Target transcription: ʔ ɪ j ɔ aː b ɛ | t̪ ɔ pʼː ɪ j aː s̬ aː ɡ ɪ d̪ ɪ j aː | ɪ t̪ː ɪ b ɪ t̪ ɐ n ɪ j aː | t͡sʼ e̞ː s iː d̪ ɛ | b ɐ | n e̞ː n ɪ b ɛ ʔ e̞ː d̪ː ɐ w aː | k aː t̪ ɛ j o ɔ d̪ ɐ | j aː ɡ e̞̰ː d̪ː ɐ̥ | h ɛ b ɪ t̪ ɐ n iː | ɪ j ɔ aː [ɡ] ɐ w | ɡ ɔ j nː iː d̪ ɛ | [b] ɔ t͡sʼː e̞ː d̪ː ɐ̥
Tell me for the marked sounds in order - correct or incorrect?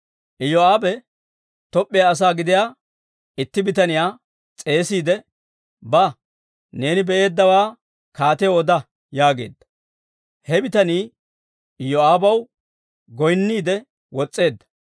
incorrect, incorrect

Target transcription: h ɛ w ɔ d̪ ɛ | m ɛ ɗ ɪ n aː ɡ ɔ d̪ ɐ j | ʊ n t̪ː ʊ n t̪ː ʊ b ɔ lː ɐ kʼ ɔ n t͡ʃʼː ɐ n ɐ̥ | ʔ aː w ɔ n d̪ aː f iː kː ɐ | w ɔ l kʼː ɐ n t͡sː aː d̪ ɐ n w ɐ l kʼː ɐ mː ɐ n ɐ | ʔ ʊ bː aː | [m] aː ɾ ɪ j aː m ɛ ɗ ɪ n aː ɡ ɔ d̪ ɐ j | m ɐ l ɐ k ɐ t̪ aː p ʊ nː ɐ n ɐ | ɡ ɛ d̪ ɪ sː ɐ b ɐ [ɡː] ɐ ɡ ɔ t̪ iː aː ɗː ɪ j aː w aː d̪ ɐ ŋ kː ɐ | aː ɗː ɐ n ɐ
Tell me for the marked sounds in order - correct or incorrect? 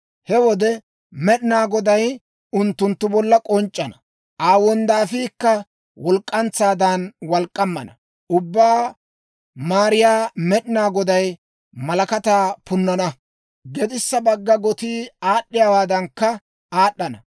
correct, correct

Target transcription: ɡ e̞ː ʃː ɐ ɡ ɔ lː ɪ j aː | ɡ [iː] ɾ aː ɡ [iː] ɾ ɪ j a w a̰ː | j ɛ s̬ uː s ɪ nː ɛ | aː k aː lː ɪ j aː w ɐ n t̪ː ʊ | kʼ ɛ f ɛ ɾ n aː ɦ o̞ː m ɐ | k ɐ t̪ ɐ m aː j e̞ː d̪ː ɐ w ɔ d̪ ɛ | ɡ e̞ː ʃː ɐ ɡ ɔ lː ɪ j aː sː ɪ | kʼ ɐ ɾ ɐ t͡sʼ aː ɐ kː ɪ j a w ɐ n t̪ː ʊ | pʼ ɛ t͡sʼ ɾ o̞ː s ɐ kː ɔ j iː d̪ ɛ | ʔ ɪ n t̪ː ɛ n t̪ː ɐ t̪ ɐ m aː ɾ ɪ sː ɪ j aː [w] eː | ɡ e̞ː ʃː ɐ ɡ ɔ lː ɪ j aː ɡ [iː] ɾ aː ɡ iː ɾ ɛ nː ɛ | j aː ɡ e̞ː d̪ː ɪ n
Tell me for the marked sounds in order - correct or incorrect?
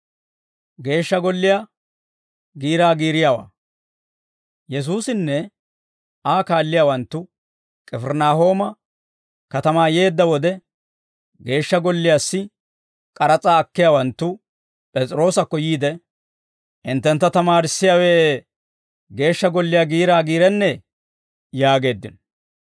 correct, correct, correct, correct

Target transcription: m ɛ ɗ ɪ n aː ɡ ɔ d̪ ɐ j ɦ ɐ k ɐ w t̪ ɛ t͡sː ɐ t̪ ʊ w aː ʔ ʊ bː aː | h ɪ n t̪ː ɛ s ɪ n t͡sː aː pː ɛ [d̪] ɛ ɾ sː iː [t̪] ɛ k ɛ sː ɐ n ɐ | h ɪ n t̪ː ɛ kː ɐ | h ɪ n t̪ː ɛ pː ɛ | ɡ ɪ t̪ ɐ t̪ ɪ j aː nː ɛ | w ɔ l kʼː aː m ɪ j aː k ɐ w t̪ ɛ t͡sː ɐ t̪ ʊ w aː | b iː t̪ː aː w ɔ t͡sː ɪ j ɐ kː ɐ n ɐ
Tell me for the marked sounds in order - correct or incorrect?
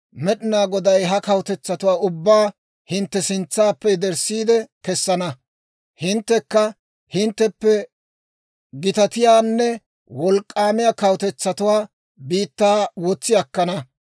correct, incorrect

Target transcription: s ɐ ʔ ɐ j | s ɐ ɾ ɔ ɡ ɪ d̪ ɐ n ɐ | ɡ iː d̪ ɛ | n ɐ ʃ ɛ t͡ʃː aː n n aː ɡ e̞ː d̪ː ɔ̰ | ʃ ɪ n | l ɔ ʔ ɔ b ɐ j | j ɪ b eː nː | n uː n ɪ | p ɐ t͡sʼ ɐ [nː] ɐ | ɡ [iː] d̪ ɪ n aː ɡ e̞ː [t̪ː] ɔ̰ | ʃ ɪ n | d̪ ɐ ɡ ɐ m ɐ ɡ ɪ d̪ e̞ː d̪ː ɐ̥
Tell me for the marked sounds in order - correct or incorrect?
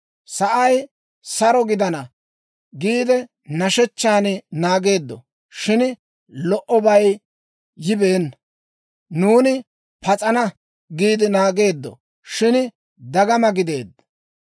incorrect, correct, incorrect

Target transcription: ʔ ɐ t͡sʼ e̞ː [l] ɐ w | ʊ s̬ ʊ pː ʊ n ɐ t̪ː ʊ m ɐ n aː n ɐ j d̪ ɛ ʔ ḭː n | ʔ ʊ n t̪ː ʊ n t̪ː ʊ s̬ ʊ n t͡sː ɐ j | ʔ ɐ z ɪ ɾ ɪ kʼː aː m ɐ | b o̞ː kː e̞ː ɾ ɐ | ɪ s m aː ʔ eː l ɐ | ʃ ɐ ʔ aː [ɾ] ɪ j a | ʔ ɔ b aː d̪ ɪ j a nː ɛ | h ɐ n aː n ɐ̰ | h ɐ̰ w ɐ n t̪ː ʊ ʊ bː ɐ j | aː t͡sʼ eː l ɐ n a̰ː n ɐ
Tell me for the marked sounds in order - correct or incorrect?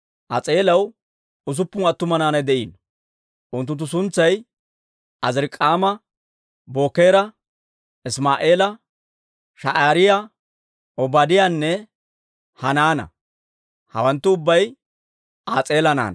correct, correct

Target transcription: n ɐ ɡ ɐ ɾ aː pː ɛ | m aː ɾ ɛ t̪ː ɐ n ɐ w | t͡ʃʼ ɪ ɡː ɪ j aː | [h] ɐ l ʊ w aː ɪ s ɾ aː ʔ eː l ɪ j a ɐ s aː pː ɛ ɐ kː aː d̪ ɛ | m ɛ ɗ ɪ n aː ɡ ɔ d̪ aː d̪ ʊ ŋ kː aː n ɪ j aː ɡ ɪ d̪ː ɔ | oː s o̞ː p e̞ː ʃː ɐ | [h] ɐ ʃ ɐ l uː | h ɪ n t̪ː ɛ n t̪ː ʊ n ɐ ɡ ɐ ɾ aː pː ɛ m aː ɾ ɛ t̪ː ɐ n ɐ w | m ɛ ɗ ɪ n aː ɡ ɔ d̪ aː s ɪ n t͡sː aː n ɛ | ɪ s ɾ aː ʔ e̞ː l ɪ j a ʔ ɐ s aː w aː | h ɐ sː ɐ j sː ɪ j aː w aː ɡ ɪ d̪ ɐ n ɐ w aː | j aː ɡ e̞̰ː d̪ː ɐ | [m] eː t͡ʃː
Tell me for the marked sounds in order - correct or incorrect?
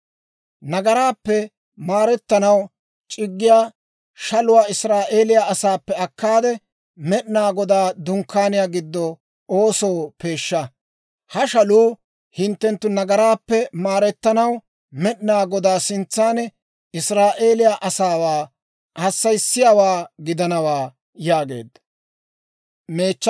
incorrect, correct, correct

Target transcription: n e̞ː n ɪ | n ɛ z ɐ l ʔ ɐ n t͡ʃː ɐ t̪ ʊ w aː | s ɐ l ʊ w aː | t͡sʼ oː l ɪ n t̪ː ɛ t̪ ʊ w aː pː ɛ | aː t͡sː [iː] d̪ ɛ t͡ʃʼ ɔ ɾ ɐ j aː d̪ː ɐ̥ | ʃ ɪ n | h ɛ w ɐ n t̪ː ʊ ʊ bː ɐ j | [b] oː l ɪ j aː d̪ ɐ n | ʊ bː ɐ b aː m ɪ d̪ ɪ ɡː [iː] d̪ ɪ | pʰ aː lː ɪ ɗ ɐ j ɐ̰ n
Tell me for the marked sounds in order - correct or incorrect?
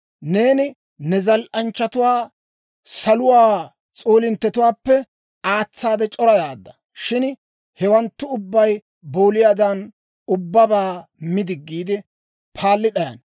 incorrect, correct, correct

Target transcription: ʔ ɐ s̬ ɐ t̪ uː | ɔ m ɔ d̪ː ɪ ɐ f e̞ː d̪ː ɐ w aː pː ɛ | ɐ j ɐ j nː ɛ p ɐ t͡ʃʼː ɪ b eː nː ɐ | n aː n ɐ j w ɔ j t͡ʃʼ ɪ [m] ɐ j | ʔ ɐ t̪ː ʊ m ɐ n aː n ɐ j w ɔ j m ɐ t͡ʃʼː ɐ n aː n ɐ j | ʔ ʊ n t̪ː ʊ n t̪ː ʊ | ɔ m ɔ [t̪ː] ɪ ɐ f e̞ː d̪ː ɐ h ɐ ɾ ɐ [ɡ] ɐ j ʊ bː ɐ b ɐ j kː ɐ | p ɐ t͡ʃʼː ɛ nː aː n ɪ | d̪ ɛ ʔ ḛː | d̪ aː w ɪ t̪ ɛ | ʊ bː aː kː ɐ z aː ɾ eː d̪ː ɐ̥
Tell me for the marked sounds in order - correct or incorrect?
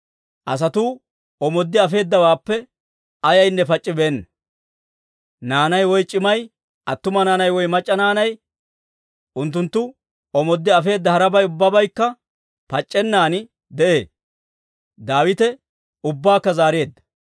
correct, incorrect, incorrect

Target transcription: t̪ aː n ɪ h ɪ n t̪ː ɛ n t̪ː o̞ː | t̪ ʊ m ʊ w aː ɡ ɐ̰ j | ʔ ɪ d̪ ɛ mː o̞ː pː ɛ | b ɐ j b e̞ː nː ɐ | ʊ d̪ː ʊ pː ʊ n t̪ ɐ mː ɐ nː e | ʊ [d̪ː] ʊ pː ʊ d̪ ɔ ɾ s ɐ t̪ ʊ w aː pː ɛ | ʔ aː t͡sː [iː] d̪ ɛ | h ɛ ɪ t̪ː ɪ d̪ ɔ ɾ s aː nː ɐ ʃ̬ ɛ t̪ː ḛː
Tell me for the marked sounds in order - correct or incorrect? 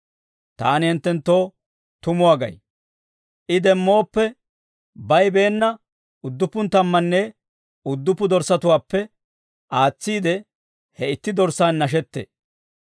correct, correct

